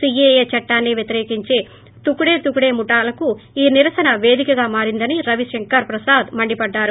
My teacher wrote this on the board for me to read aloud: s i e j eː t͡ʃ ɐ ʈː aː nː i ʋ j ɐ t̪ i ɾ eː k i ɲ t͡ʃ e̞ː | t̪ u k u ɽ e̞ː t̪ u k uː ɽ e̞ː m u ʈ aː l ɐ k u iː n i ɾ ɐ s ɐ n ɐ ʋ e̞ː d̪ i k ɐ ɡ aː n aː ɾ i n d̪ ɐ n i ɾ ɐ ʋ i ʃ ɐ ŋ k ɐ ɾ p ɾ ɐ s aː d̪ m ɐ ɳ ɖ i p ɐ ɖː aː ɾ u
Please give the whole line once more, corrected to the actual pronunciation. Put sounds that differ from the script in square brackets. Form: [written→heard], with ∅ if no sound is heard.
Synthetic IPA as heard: s i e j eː t͡ʃ ɐ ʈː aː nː i ʋ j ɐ t̪ i ɾ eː k i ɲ t͡ʃ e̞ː | t̪ u k u ɽ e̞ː t̪ u k [uː→u] ɽ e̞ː m u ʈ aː l ɐ k u iː n i ɾ ɐ s ɐ n ɐ ʋ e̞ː d̪ i k ɐ ɡ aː [n→m] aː ɾ i n d̪ ɐ n i ɾ ɐ ʋ i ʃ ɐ ŋ k ɐ ɾ p ɾ ɐ s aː d̪ m ɐ ɳ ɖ i p ɐ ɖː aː ɾ u